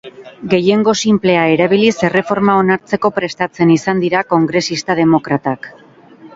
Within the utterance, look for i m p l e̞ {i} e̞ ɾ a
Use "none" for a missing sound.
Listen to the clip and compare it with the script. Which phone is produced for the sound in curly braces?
a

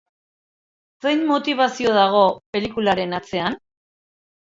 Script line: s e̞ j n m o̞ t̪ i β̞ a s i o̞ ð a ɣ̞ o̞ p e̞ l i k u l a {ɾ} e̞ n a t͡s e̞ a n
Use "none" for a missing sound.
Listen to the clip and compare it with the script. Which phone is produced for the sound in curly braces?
ɾ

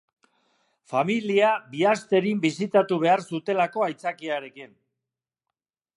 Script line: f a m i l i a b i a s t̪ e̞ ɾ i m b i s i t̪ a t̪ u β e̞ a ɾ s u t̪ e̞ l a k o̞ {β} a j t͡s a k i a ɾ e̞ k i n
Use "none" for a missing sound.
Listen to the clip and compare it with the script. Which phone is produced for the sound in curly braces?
none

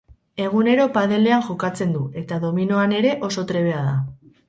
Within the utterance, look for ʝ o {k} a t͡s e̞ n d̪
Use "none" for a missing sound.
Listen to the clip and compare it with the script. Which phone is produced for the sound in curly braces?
k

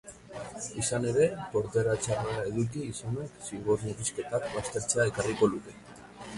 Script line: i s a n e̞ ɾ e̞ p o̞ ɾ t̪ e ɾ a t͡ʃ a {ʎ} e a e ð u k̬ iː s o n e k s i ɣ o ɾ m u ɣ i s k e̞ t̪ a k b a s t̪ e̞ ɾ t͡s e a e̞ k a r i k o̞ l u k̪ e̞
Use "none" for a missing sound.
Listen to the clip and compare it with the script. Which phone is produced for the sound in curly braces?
r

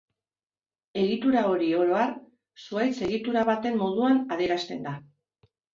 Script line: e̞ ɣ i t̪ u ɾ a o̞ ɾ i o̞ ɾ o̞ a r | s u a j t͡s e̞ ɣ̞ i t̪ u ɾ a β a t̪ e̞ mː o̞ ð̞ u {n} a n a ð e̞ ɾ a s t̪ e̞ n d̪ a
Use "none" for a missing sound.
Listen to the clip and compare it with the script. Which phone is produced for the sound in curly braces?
none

